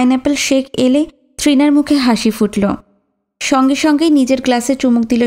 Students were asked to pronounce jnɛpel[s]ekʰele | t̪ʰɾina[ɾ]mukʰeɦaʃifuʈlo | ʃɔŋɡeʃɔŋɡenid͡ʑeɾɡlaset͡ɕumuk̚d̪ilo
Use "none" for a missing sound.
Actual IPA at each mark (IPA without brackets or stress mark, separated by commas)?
ʃ, ɾ